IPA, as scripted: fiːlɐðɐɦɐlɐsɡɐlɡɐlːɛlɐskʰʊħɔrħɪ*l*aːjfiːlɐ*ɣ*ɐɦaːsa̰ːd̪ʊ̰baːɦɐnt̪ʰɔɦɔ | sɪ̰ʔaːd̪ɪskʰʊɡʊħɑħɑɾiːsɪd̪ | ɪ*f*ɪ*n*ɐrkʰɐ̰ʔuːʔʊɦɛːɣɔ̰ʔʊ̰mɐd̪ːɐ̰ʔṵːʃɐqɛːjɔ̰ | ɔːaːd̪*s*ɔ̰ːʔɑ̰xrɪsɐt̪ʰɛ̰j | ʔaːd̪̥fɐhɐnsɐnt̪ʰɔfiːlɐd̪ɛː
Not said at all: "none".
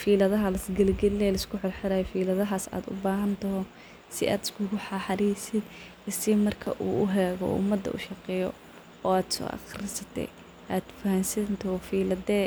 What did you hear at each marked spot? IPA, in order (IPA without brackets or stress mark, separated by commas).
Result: ɾ, ð, s, m, s